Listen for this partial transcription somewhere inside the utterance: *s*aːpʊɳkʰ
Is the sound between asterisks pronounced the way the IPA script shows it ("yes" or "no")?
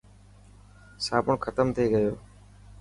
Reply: yes